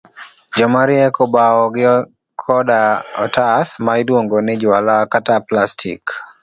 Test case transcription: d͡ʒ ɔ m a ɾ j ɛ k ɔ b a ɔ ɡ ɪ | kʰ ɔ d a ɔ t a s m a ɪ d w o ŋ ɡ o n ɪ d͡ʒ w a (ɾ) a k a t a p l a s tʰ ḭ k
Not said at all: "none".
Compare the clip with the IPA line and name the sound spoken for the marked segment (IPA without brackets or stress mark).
l